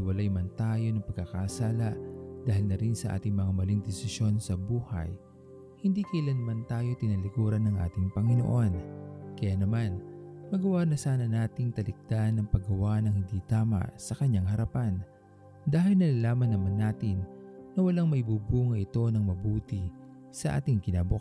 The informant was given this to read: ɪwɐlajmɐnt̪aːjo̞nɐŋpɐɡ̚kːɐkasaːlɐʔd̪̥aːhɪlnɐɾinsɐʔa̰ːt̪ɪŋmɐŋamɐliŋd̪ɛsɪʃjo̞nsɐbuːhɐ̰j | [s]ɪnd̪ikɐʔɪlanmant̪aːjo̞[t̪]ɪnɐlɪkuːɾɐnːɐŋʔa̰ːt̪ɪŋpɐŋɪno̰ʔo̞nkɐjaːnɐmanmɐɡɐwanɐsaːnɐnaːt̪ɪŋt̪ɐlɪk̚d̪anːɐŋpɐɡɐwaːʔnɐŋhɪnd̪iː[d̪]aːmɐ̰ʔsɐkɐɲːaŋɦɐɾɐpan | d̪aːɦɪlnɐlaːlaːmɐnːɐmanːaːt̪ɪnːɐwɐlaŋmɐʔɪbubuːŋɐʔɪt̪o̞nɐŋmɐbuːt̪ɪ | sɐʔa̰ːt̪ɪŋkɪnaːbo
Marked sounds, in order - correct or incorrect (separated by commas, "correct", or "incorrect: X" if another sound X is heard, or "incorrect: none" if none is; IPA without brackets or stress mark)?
incorrect: h, correct, incorrect: t̪